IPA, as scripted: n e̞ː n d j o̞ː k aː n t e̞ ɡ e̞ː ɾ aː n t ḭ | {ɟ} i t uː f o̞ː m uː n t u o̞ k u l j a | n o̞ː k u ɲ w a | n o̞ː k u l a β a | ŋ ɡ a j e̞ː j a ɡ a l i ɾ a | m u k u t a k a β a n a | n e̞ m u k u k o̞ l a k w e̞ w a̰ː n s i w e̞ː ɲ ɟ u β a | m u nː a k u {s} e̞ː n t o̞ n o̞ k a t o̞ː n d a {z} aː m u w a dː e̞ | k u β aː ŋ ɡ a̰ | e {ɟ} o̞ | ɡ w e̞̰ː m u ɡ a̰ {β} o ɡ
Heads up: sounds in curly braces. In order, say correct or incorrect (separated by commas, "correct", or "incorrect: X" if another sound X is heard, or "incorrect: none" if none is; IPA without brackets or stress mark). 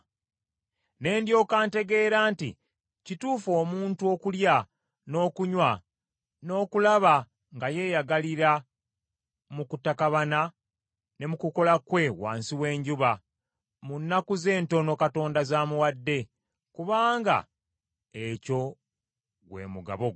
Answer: incorrect: c, incorrect: z, correct, incorrect: c, correct